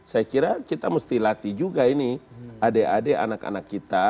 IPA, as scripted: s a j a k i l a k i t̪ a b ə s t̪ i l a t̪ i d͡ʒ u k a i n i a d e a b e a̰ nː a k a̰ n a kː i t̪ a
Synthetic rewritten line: s a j a k i ɾ a k i t̪ a m ə s t̪ i l a t̪ i d͡ʒ u ɡ a i n i a d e a d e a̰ n a k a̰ n a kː i t̪ a

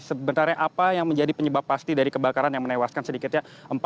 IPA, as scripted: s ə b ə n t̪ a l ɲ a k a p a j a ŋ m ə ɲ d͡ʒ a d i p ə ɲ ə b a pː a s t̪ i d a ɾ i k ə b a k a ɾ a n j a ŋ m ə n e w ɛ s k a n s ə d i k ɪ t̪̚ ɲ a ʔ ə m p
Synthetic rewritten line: s ə b ə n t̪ a r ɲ a ʔ a p a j a ŋ m ə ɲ d͡ʒ a d i p ə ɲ ə b a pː a s t̪ i d a ɾ i k ə b a k a ɾ a n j a ŋ m ə n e w a s k a n s ə d i k ɪ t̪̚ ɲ a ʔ ə m p

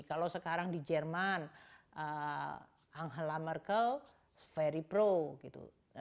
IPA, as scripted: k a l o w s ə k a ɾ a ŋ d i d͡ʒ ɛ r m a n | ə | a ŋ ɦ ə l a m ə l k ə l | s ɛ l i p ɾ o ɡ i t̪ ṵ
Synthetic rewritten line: k a l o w s ə k a ɾ a ŋ d i d͡ʒ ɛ r m a n | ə | a ŋ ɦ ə l a m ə r k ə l | f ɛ ɾ i p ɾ o ɡ i t̪ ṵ

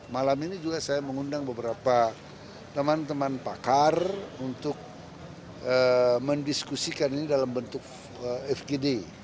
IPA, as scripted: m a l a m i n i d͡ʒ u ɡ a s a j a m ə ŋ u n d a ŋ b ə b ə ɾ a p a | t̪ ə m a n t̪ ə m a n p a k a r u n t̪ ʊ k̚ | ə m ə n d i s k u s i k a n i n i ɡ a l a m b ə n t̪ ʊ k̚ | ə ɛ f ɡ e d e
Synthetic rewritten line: m a l a m i n i d͡ʒ u ɡ a s a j a m ə ŋ u n d a ŋ b ə b ə ɾ a p a | t̪ ə m a n t̪ ə m a n p a k a r u n t̪ ʊ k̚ | ə m ə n d i s k u s i k a n i n i d a l a m b ə n t̪ ʊ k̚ | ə ɛ f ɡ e d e

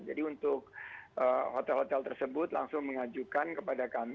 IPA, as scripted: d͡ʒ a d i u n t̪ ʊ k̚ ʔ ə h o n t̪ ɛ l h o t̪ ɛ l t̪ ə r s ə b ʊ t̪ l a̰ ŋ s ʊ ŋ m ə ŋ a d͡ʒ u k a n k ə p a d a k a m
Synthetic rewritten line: d͡ʒ a d i u n t̪ ʊ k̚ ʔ ə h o t̪ ɛ l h o t̪ ɛ l t̪ ə r s ə b ʊ t̪ l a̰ ŋ s ʊ ŋ m ə ŋ a d͡ʒ u k a n k ə p a d a k a m

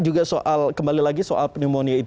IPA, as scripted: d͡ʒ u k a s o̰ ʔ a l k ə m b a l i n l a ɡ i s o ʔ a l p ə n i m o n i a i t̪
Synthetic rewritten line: d͡ʒ u ɡ a s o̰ ʔ a l k ə m b a l i l a ɡ i s o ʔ a l p ə n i m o n i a i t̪

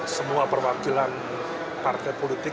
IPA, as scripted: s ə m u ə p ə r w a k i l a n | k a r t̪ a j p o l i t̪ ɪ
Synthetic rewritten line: s ə m u a p ə r w a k i l a n | p a r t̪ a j p o l i t̪ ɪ

